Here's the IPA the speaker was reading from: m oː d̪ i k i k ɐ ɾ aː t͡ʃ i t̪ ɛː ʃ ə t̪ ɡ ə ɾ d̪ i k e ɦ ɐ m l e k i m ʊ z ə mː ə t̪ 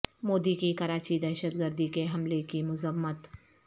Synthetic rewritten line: m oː d̪ i k i k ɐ ɾ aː t͡ʃ i d̪ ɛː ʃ ə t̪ ɡ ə ɾ d̪ i k e ɦ ɐ m l e k i m ʊ z ə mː ə t̪